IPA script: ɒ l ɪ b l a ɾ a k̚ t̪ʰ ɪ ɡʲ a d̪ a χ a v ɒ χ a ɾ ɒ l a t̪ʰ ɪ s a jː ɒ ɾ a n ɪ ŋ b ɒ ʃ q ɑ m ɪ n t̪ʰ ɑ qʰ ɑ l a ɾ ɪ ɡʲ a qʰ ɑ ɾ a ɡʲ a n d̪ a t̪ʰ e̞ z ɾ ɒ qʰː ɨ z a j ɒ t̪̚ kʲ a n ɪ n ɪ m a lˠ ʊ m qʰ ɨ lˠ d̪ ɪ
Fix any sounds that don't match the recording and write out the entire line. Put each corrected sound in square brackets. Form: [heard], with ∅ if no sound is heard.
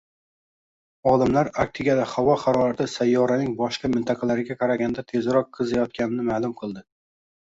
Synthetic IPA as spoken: ɒ l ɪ [m] l a ɾ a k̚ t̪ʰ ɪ ɡʲ a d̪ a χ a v ɒ χ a ɾ ɒ [ɾ] a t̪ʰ ɪ s a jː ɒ ɾ a n ɪ ŋ b ɒ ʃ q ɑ m ɪ n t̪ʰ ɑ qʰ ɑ l a ɾ ɪ ɡʲ a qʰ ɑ ɾ a ɡʲ a n d̪ a t̪ʰ e̞ z ɾ ɒ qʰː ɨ z a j ɒ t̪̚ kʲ a n ɪ n ɪ m a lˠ ʊ m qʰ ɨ lˠ d̪ ɪ